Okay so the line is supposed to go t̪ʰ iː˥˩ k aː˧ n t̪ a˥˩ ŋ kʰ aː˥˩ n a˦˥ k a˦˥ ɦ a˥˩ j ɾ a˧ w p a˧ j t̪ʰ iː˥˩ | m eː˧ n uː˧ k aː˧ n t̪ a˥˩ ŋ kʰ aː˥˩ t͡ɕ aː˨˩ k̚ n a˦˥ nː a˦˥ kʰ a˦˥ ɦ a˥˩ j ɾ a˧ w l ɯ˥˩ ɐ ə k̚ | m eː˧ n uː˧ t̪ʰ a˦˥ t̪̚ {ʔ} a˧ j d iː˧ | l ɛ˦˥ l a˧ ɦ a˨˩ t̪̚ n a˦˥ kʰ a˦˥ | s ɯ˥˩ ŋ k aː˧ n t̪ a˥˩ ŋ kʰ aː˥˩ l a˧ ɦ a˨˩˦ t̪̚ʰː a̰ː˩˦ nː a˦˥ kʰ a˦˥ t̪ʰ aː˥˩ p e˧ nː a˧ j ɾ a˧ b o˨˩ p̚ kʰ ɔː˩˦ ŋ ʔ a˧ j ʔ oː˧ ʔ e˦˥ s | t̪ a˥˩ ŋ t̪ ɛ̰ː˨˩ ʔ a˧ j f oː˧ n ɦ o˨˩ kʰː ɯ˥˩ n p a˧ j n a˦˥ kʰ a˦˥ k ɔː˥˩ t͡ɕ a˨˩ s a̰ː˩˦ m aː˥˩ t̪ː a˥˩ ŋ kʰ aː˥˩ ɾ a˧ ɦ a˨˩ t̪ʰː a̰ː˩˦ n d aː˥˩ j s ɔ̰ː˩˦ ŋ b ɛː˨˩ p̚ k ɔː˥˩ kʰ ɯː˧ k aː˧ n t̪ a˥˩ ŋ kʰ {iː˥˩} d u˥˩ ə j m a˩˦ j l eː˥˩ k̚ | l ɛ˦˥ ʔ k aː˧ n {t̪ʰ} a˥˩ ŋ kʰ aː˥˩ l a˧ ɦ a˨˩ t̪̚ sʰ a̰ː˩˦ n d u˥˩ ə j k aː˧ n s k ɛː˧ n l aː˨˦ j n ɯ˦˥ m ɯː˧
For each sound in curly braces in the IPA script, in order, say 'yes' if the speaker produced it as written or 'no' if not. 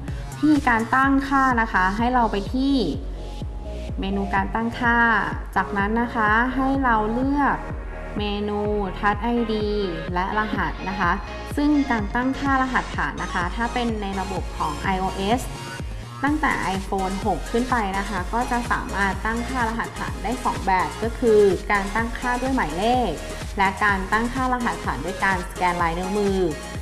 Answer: yes, no, no

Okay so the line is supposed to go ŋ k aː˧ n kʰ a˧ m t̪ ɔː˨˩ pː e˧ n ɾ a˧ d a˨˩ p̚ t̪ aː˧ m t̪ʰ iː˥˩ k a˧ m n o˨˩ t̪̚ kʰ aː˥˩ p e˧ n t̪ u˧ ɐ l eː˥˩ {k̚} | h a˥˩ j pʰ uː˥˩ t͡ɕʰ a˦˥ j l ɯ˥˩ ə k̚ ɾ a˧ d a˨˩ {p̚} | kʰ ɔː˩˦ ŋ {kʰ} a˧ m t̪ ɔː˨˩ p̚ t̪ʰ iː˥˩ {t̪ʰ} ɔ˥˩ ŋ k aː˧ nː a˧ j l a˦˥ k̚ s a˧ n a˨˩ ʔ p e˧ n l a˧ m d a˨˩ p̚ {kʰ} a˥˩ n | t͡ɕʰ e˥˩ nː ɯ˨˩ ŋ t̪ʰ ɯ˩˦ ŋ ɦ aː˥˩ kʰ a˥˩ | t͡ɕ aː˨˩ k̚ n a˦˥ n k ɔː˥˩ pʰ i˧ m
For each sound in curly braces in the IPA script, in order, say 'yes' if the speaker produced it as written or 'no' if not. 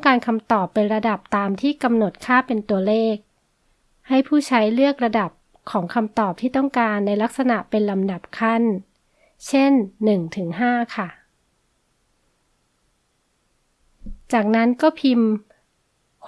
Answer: yes, yes, yes, no, yes

